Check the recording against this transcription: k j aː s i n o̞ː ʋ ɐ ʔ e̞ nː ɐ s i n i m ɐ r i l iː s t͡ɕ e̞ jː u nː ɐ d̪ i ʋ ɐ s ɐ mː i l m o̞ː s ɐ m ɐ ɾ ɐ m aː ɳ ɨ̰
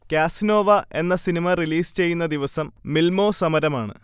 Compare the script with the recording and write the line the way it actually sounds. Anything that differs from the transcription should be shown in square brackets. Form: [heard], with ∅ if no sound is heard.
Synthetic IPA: k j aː s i n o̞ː ʋ ɐ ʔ e̞ nː ɐ s i n i m ɐ r i l iː s t͡ɕ e̞ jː u nː ɐ d̪ i ʋ ɐ s ɐ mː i l m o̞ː s ɐ m ɐ ɾ ɐ m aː ɳ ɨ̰